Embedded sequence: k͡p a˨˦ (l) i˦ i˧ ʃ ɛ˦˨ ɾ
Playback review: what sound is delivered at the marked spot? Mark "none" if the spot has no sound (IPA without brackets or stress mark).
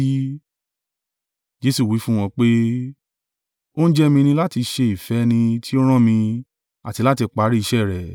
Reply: ɾ